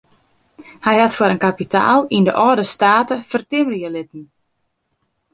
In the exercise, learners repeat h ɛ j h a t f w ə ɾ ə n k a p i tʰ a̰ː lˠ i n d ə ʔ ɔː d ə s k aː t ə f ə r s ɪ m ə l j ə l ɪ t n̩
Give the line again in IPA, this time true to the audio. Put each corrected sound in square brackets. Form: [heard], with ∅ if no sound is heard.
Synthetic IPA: h ɛ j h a t f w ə ɾ ə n k a p i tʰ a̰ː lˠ i n d ə ʔ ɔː d ə s [t] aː t ə f ə r [t] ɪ m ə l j ə l ɪ t n̩